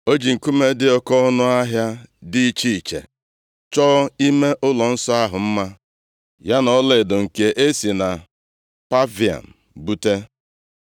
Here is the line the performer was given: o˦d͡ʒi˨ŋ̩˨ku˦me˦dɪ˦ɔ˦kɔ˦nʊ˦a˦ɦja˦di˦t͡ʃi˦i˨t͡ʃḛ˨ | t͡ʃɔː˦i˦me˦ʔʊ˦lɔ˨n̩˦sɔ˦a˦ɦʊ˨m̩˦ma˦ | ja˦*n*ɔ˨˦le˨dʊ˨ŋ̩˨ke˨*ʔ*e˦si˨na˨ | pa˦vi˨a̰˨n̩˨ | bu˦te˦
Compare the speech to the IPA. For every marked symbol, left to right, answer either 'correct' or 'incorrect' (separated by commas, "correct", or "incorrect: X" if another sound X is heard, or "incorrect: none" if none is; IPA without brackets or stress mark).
correct, correct